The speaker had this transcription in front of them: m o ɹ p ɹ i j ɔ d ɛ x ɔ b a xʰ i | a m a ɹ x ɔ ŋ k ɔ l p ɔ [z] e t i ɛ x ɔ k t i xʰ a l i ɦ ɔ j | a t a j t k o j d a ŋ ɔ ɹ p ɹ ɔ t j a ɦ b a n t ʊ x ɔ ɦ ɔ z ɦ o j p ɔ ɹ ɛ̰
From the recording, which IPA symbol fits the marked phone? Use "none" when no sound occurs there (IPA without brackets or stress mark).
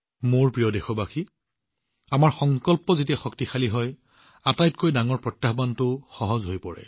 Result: z